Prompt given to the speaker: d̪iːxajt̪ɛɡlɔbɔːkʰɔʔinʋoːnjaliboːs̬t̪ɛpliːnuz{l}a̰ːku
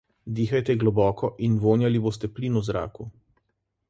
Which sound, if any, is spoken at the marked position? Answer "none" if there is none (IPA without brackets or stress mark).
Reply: ɾ